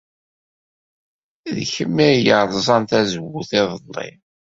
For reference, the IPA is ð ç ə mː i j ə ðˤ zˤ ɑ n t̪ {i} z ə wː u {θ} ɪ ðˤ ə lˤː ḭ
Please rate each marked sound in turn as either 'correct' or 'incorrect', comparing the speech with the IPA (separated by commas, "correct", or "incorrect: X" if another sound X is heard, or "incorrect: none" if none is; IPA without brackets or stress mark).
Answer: incorrect: æ, correct